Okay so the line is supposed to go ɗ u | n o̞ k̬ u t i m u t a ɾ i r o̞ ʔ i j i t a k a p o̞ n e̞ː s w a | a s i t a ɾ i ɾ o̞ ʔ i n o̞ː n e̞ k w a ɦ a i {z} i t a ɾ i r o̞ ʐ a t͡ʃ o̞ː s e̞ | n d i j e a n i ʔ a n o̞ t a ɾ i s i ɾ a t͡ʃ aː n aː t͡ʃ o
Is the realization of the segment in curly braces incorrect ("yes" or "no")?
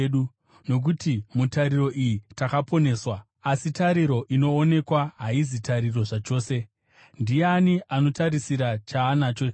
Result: no